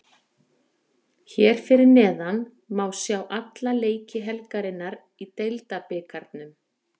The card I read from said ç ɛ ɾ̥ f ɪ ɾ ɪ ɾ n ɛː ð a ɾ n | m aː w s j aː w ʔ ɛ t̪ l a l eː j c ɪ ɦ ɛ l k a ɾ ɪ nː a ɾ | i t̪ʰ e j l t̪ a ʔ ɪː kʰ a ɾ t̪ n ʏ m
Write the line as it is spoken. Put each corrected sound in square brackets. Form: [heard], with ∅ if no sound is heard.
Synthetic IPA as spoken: ç ɛ ɾ̥ f ɪ ɾ ɪ ɾ n ɛː ð a [∅] n | m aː w s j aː w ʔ [a] t̪ l a l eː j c ɪ ɦ ɛ l k a ɾ ɪ nː a ɾ | i [t̪] e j l t̪ a [p] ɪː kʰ a ɾ t̪ n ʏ m